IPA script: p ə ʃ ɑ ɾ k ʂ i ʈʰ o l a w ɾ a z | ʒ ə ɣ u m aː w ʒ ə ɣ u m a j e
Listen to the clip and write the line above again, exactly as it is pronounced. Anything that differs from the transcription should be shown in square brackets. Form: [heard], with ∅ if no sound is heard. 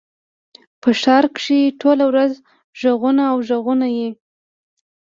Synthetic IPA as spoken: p ə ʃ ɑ ɾ k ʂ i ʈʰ o l a w ɾ a z | ʒ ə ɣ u [n] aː w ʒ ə ɣ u [n] a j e